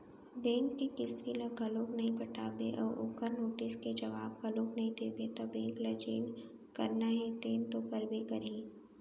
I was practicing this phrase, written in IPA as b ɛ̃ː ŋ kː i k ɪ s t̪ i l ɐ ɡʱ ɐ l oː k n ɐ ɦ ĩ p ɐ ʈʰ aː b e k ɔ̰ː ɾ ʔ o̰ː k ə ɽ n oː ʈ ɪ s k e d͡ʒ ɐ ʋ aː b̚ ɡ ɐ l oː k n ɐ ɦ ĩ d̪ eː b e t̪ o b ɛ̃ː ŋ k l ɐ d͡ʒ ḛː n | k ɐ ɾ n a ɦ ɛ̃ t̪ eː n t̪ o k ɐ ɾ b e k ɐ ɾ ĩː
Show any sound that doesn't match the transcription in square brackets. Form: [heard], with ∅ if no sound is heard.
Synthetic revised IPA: b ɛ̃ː ŋ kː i k ɪ s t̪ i l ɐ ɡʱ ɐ l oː k n ɐ ɦ ĩ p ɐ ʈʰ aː b e [ʔ] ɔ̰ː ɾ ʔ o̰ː k ə [ɾ] n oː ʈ ɪ s k e d͡ʒ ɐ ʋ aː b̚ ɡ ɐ l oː k n ɐ ɦ ĩ d̪ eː b e t̪ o b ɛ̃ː ŋ k l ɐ d͡ʒ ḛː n | k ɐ ɾ n a ɦ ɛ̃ t̪ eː n t̪ o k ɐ ɾ b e k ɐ ɾ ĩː